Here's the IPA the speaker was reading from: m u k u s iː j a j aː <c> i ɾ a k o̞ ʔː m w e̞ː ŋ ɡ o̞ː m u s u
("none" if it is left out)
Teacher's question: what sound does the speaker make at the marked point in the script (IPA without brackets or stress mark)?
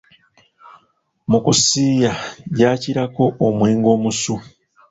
c